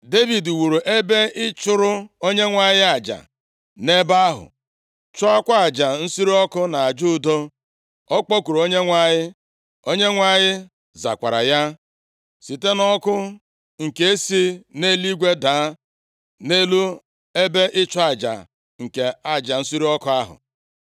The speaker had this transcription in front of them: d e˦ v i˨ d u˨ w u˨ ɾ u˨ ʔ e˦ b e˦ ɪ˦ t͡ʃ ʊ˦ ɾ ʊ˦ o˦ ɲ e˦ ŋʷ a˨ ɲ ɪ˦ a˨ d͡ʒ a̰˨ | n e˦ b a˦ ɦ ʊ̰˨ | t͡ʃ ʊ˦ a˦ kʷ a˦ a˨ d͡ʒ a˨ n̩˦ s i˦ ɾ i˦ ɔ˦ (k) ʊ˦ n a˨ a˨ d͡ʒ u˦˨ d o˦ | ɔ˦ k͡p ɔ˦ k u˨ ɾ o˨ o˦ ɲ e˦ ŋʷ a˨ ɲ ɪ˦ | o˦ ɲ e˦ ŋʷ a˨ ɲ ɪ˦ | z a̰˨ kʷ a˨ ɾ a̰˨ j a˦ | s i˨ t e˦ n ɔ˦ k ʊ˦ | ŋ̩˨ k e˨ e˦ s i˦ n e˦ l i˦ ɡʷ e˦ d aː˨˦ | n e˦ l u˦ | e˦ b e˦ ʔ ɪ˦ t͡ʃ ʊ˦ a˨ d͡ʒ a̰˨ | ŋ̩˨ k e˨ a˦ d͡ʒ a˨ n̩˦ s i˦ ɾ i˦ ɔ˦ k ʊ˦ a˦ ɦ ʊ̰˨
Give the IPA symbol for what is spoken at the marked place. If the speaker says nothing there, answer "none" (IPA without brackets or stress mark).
k